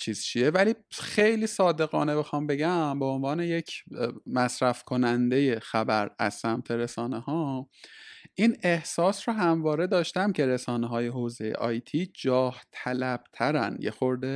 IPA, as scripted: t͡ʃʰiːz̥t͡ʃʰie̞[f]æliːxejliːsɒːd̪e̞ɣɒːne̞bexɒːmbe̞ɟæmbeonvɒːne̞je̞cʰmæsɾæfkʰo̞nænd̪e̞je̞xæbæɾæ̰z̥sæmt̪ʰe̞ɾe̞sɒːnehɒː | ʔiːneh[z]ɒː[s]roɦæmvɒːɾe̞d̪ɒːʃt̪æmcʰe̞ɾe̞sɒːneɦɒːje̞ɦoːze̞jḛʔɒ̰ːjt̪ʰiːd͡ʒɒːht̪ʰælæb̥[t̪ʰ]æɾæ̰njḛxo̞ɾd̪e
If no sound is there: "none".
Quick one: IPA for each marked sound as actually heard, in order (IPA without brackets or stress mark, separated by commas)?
v, s, s, t̪ʰ